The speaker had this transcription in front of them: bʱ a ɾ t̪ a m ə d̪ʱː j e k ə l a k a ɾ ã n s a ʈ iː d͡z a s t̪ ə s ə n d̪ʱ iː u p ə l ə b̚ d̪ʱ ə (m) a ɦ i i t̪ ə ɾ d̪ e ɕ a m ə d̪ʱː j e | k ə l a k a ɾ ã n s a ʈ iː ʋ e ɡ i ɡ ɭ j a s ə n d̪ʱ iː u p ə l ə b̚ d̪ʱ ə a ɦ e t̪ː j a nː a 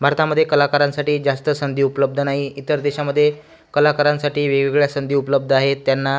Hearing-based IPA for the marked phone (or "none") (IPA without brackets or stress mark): n